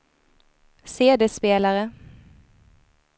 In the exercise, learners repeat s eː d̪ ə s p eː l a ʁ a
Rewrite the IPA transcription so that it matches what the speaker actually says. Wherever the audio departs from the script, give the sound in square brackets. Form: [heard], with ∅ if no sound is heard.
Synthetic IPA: s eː d̪ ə s p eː l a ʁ [ə]